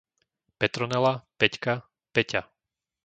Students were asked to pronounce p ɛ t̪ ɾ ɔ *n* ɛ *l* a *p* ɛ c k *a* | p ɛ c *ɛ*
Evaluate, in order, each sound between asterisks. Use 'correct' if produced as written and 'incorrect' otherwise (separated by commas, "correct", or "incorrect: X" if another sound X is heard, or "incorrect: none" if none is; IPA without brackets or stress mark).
correct, correct, correct, correct, incorrect: a